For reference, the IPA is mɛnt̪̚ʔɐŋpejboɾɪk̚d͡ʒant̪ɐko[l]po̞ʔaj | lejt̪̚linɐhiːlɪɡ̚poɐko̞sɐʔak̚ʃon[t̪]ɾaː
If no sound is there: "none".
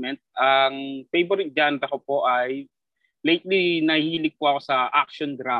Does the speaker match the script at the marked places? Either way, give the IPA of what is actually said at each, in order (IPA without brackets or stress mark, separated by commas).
none, d̪